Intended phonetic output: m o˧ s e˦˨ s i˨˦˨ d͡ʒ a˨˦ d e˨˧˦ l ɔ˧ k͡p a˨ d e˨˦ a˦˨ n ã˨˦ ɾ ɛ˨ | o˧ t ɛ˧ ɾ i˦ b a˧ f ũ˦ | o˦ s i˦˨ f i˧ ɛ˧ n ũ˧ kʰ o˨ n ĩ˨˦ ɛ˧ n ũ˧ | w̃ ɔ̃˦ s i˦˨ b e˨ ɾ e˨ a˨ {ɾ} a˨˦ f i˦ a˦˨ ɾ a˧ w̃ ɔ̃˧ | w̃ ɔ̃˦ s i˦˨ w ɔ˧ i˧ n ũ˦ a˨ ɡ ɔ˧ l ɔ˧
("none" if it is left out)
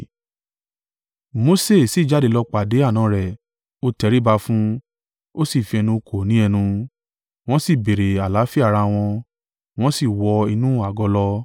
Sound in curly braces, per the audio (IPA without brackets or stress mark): l